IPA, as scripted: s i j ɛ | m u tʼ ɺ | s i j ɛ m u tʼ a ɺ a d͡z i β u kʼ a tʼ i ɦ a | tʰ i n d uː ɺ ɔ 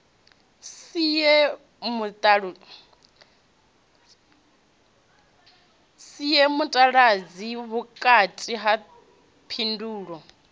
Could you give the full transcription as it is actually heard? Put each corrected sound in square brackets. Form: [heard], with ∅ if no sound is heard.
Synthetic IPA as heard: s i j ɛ | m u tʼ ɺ | s i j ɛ m u tʼ a ɺ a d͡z i β u kʼ a tʼ i ɦ a | [pʰ] i n d uː ɺ ɔ